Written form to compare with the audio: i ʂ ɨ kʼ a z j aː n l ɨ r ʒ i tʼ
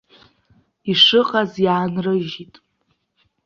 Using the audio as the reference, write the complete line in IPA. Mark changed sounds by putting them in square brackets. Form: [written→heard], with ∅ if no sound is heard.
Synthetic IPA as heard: i ʂ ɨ [kʼ→qʼ] a z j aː n [l→r] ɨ [r→∅] ʒ i tʼ